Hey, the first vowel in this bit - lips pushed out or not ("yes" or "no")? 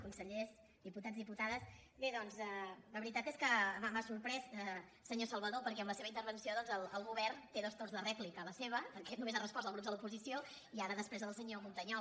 yes